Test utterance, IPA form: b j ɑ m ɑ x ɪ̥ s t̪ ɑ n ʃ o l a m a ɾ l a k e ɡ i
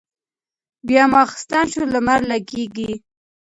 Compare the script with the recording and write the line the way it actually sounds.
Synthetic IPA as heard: b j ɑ m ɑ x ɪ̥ s t̪ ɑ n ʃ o l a m a ɾ l a ɡ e ɡ i